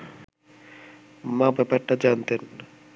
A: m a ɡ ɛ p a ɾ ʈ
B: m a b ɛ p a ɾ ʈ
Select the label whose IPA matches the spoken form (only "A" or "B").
B